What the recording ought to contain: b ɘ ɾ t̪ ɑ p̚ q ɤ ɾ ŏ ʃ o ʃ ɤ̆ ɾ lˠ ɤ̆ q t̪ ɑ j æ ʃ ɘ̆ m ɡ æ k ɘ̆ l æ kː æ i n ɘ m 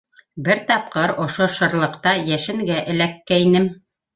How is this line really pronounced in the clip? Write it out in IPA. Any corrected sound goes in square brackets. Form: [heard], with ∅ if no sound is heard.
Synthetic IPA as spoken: b ɘ ɾ t̪ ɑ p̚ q ɤ ɾ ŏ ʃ o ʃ ɤ̆ ɾ lˠ ɤ̆ q t̪ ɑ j æ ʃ ɘ̆ [ŋ] ɡ æ [ʔ] ɘ̆ l æ kː æ i n ɘ m